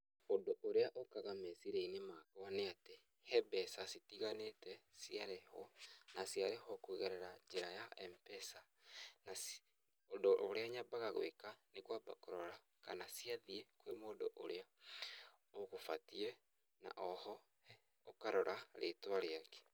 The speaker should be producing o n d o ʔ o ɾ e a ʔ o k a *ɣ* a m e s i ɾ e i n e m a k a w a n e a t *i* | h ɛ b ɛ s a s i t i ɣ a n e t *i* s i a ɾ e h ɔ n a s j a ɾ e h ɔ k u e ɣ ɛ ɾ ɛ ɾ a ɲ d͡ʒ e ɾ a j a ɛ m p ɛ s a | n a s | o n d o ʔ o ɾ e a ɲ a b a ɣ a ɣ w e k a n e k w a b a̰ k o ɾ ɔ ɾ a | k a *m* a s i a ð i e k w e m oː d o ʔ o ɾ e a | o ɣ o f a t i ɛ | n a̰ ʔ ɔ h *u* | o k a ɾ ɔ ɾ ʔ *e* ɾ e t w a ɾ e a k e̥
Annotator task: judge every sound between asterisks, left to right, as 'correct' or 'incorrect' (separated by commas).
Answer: correct, incorrect, incorrect, incorrect, incorrect, incorrect